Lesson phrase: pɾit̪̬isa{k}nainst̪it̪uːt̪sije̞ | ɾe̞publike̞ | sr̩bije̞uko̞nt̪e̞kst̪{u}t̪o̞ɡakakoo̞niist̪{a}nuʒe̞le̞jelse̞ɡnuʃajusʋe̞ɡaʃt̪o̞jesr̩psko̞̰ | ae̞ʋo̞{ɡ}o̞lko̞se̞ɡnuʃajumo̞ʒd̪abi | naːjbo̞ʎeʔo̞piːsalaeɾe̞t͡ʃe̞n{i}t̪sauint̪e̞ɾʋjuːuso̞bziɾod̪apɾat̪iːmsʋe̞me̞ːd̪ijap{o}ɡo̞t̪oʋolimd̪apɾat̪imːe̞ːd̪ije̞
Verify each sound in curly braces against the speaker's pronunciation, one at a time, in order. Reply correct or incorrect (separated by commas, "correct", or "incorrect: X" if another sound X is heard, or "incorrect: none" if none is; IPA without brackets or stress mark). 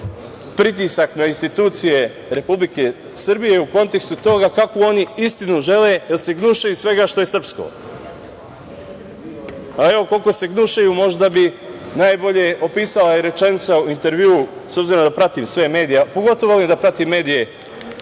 correct, correct, incorrect: i, incorrect: k, correct, correct